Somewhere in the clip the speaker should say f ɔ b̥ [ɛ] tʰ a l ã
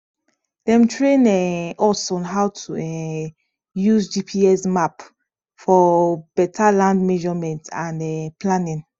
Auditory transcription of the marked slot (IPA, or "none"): ɛ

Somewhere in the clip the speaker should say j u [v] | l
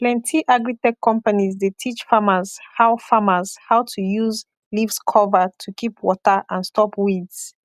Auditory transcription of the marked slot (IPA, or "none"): z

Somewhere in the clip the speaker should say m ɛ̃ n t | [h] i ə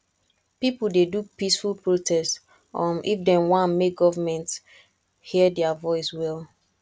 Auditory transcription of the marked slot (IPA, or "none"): h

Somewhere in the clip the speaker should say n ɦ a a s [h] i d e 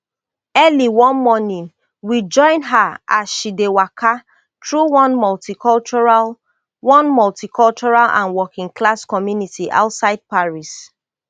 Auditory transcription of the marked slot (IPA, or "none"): ʃ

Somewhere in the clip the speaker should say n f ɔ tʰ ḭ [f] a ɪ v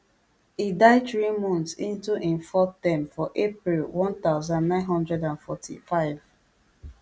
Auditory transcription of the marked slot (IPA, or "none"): f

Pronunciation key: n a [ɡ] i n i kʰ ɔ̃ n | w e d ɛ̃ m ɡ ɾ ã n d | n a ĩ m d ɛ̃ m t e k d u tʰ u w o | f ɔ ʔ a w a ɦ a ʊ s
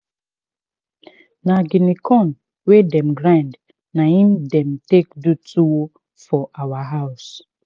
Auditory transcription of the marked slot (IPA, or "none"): ɡ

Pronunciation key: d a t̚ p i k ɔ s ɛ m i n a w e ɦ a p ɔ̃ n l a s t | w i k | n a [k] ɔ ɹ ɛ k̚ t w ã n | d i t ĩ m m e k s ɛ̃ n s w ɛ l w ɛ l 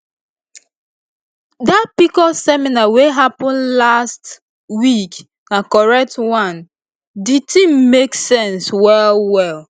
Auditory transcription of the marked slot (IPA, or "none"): k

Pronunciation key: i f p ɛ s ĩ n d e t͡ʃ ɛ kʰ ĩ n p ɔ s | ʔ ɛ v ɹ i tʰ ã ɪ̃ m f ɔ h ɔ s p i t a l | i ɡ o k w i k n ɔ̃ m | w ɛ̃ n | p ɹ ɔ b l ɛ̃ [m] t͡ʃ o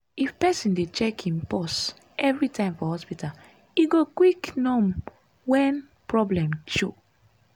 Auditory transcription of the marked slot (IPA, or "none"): m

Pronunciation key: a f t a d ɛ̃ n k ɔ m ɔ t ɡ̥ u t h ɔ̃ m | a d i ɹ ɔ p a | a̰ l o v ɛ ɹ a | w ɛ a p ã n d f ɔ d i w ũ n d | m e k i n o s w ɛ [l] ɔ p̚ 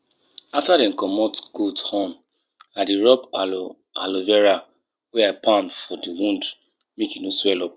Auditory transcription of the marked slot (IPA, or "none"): l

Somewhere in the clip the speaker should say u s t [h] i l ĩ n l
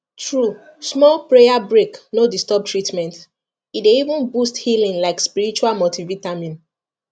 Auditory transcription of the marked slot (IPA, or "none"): h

